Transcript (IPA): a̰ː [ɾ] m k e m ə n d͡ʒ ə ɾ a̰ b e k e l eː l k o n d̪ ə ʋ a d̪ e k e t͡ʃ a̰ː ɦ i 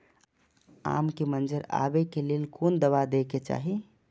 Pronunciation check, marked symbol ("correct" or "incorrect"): incorrect